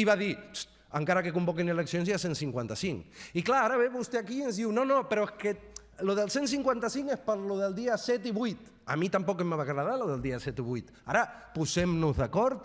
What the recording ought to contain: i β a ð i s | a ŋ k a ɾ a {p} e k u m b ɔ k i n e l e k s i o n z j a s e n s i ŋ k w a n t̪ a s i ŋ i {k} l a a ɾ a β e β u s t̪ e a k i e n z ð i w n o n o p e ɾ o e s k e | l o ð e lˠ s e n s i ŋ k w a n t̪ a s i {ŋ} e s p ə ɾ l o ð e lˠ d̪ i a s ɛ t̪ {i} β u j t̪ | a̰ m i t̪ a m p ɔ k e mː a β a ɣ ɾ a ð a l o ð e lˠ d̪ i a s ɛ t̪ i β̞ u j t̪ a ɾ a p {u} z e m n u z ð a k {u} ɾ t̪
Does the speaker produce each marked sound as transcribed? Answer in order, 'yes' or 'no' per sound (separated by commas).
no, yes, yes, yes, yes, no